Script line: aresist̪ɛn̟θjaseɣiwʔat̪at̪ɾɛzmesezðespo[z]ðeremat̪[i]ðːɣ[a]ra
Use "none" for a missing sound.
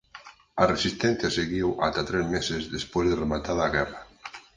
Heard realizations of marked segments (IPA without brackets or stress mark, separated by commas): z, a, ɛ